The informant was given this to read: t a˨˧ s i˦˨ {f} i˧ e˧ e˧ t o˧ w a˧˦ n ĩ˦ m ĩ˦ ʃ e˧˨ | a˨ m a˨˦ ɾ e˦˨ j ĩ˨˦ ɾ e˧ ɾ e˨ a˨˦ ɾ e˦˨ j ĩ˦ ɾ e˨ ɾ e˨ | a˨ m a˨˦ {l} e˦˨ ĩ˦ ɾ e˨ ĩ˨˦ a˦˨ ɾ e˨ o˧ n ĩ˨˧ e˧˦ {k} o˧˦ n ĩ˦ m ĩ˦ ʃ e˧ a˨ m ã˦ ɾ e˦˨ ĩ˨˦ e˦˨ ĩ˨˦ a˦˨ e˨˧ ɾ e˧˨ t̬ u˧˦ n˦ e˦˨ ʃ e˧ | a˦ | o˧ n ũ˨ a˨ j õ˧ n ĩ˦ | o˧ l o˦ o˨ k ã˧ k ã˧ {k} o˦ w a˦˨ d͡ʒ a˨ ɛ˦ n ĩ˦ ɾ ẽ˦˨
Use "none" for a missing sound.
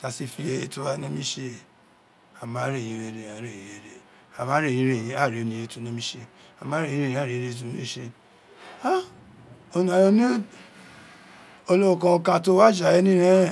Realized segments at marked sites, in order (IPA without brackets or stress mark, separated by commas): f, ɾ, t, t